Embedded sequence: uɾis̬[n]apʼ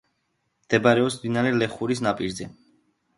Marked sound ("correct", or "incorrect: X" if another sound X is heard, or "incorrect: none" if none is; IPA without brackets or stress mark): correct